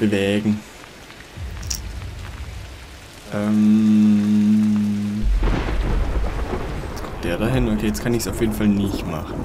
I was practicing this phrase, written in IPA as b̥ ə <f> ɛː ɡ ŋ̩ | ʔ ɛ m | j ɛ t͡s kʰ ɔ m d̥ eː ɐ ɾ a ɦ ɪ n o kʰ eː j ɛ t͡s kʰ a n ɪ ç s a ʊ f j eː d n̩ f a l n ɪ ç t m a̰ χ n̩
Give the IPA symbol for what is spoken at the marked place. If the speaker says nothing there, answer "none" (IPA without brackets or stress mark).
v